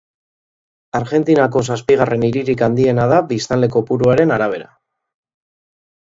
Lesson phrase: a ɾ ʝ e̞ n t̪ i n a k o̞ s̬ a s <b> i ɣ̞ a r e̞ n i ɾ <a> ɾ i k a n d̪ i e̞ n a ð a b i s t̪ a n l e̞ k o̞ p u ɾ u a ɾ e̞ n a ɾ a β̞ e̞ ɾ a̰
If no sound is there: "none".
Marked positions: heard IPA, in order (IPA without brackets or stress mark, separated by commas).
p, i